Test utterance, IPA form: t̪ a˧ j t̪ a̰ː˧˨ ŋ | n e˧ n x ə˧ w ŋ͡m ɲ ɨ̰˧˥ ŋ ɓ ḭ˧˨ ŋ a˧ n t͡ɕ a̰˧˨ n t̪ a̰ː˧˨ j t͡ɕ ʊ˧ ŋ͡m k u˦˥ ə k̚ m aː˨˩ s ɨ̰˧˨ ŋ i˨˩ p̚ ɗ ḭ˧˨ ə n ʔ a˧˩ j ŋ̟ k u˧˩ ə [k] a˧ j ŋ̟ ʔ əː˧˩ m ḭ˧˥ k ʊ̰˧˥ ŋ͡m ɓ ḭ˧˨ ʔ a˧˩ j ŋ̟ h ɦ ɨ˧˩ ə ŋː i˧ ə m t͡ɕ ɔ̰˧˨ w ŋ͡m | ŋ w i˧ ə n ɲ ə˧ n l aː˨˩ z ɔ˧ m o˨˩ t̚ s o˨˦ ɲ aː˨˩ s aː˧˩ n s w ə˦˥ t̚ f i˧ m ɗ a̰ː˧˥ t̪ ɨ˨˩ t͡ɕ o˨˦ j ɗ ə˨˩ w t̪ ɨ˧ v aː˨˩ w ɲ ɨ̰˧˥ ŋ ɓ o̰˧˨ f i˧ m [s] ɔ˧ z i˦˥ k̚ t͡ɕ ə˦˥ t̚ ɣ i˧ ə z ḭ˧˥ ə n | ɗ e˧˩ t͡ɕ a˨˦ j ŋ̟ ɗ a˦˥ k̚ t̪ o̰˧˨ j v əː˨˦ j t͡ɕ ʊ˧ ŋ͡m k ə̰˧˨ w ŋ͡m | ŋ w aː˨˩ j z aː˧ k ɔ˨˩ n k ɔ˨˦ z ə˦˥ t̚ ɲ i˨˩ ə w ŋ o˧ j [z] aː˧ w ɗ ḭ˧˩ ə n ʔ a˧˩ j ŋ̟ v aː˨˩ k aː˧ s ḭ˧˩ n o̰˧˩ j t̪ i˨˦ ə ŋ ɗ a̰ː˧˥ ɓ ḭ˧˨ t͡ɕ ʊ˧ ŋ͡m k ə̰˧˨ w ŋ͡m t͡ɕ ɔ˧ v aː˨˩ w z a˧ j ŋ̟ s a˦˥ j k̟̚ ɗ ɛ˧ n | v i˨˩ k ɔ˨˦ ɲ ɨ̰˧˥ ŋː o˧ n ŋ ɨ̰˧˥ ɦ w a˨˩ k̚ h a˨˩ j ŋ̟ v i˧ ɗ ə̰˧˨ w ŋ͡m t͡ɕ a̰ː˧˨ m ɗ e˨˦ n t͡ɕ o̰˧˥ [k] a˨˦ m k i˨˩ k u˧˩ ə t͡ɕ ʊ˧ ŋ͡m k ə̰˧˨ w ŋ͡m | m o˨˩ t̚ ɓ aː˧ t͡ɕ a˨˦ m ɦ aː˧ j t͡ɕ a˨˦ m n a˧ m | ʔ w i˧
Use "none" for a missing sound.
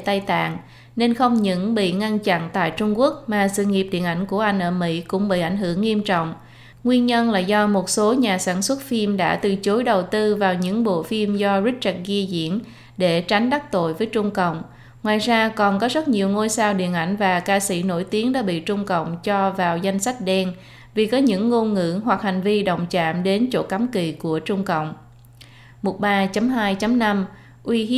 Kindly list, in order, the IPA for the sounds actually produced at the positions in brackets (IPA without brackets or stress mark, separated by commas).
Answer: ʔ, z, s, k